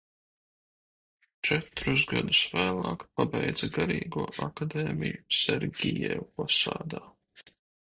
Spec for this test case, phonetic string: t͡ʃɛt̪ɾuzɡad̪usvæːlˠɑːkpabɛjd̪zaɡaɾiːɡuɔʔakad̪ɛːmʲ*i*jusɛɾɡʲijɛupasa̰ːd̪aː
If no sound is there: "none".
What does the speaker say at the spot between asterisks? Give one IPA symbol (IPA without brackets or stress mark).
i